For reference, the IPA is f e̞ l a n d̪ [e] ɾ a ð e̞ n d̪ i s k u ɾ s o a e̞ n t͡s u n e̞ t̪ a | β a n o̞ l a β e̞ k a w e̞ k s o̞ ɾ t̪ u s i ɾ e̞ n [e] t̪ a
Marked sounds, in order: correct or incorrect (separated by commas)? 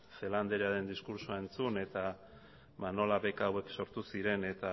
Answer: correct, correct